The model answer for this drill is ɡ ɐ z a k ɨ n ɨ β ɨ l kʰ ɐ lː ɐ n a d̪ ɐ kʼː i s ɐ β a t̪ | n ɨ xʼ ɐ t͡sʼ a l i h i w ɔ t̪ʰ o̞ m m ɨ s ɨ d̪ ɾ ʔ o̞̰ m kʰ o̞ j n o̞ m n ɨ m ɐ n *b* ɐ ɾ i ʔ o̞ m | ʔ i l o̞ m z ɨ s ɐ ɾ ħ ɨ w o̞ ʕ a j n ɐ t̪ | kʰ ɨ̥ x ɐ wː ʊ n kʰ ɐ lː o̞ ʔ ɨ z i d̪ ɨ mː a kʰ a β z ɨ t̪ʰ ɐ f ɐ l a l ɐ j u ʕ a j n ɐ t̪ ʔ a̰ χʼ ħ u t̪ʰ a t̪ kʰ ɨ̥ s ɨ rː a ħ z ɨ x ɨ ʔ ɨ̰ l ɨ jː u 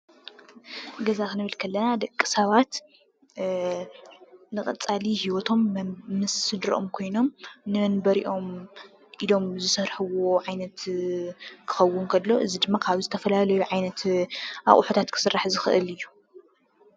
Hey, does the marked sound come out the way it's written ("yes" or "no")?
yes